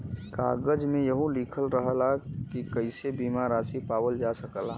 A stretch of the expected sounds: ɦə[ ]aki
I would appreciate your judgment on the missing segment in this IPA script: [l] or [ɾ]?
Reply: l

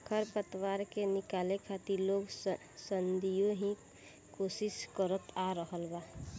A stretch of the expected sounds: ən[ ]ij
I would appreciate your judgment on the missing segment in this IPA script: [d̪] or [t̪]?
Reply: d̪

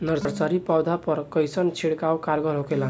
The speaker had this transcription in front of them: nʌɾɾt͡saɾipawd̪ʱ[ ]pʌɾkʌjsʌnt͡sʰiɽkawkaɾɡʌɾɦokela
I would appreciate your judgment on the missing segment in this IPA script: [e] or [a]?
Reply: a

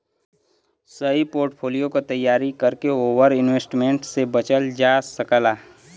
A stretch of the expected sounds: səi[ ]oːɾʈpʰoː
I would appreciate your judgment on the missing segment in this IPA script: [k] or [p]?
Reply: p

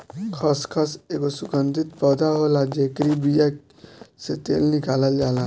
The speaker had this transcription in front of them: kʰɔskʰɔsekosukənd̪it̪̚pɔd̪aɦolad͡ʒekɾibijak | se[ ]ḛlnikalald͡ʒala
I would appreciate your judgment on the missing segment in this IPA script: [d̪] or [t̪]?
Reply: t̪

